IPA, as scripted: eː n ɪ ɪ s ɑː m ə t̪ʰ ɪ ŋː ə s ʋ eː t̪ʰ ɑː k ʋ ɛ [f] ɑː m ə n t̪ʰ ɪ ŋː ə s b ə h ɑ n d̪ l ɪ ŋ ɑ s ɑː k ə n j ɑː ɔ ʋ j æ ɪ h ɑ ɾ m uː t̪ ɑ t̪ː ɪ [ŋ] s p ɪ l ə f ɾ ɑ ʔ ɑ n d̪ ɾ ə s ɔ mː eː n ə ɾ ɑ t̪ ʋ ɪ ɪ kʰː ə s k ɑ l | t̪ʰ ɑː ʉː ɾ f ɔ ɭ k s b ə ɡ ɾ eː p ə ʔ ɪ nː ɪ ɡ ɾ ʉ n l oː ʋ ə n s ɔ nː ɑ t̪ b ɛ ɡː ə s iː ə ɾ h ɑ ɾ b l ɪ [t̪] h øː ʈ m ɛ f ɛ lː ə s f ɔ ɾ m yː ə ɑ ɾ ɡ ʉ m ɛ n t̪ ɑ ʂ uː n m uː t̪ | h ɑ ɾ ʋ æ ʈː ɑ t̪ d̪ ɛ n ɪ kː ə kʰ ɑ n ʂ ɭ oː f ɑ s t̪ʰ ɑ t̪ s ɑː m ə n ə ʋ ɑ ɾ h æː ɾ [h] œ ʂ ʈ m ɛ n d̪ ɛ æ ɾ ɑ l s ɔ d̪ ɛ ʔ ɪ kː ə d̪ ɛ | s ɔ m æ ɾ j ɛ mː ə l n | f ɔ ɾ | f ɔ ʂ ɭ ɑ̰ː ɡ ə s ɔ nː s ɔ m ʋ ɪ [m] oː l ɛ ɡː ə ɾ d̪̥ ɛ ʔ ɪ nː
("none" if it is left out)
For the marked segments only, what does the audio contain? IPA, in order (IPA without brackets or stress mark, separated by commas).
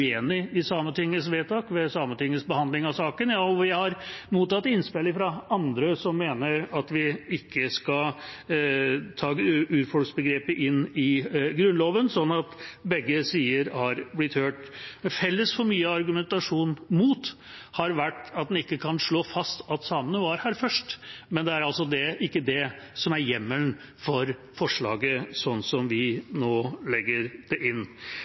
s, n, t̪, f, n